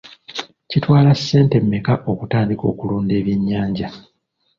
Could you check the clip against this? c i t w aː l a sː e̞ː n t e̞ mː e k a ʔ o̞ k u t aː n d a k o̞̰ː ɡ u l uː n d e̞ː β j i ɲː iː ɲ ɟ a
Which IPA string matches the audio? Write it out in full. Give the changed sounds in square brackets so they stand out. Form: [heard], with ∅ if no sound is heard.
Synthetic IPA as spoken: c i t w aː l a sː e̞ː n t e̞ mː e k a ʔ o̞ k u t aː n d [i] k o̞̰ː [k] u l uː n d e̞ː β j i ɲː [aː] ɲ ɟ a